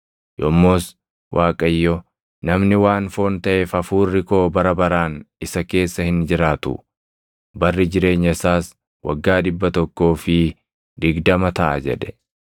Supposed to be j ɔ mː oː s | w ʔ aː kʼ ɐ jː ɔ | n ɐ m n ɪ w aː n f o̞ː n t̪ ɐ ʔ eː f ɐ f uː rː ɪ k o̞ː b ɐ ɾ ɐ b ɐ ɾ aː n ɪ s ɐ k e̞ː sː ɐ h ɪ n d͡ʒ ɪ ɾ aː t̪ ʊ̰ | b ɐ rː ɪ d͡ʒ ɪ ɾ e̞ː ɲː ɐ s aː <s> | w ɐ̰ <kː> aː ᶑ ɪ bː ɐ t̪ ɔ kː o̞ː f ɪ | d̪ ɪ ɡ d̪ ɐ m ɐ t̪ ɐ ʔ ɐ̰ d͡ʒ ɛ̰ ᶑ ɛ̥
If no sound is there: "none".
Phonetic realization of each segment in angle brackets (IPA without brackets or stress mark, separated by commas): s, ɡː